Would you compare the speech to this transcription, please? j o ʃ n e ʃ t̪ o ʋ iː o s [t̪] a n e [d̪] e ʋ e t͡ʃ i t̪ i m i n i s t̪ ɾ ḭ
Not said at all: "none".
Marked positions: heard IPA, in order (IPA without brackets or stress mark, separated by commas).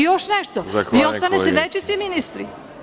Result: t̪, t̪